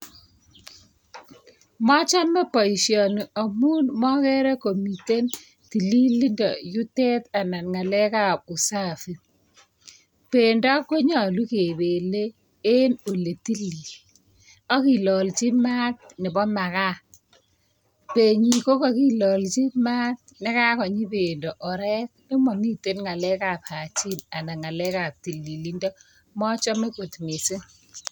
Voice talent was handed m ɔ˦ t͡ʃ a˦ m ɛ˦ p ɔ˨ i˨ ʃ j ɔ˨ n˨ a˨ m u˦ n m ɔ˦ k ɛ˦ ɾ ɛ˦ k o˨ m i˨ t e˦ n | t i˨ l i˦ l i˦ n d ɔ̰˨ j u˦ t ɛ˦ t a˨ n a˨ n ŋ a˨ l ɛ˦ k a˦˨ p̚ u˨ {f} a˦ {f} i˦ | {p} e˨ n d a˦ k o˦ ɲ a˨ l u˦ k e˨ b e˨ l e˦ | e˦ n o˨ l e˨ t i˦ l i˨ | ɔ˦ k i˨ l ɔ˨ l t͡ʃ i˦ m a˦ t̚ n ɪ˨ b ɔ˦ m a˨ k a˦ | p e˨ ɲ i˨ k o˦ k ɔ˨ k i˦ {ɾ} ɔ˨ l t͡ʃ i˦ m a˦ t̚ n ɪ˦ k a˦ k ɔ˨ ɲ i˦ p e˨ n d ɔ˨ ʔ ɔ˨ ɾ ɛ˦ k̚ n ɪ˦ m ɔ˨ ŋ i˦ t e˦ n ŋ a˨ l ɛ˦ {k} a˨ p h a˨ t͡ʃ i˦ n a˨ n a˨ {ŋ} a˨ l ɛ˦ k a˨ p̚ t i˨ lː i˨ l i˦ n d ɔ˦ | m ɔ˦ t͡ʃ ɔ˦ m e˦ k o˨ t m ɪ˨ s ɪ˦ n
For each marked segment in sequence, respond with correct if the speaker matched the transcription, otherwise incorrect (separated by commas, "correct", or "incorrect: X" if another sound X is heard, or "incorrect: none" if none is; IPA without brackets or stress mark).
incorrect: s, correct, correct, incorrect: l, correct, correct